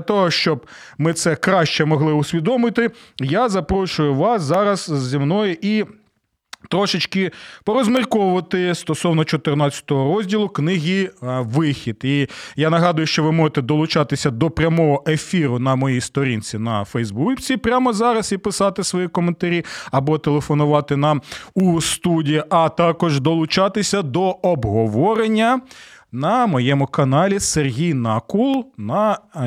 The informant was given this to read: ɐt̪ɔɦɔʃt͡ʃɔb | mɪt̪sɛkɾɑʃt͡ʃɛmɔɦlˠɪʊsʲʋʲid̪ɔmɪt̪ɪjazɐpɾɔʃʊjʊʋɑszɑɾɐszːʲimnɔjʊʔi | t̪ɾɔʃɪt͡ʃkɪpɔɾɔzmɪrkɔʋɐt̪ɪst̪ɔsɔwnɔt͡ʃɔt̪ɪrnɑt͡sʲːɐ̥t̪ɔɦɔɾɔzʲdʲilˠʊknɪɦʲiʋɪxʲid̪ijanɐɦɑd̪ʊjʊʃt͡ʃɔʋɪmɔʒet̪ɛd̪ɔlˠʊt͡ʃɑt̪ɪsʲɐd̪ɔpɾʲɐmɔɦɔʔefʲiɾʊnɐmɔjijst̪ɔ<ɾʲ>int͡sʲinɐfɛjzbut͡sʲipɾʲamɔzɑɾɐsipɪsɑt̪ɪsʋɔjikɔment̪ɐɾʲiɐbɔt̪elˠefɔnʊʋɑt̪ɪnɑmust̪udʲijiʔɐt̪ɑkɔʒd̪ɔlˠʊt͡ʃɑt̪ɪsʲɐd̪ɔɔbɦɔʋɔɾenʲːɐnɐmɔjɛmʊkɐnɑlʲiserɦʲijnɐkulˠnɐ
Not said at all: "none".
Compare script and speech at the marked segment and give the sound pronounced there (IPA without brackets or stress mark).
ɾʲ